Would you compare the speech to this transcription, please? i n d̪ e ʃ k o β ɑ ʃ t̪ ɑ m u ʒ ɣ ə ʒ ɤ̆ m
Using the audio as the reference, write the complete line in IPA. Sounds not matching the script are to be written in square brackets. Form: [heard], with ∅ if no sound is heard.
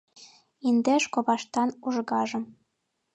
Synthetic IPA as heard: i n d̪ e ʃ k o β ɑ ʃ t̪ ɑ [n] u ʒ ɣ [ɑ] ʒ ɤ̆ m